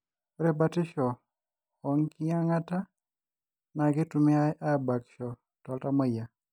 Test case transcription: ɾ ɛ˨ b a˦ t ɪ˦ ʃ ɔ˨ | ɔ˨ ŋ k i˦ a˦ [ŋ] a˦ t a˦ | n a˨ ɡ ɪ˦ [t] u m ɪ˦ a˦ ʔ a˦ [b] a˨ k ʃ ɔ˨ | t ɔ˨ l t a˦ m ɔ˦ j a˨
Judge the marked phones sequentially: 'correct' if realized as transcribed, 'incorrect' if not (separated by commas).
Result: correct, correct, correct